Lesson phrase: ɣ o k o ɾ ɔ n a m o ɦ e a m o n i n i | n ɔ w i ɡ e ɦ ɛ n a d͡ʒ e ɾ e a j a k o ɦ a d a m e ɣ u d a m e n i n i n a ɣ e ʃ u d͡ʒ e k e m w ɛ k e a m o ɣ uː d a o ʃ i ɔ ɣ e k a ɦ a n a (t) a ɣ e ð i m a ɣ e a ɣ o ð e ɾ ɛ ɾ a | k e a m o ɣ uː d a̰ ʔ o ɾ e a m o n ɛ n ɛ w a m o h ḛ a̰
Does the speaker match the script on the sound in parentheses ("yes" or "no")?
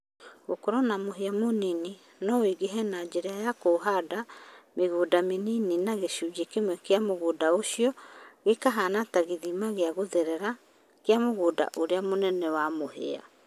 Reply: yes